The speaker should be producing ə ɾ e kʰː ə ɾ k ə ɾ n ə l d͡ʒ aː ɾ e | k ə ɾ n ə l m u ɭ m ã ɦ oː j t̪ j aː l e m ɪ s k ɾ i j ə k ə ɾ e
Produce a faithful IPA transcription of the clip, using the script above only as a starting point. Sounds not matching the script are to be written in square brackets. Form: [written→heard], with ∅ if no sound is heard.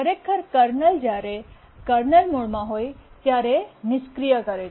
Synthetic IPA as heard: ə ɾ e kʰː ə ɾ k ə ɾ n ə l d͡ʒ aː ɾ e | k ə ɾ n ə l m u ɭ m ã ɦ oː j t̪ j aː [l→ɾ] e [m→n] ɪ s k ɾ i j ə k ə ɾ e